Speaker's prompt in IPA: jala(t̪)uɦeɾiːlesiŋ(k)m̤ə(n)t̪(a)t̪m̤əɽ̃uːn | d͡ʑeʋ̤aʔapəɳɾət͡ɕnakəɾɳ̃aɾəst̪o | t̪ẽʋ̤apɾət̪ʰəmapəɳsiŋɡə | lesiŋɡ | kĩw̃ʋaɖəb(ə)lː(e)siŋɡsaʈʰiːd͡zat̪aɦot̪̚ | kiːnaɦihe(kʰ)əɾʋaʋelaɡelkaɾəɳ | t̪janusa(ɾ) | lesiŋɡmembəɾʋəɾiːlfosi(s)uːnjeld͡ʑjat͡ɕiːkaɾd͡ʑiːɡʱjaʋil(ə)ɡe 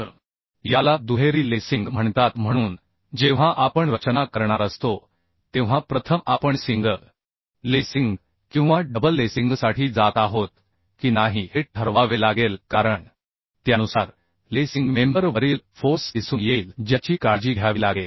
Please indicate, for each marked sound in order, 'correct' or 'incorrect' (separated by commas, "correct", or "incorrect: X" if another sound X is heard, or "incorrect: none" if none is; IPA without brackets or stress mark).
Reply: incorrect: d̪, incorrect: ɡ, incorrect: ɳ, correct, correct, correct, incorrect: ʈʰ, correct, correct, incorrect: a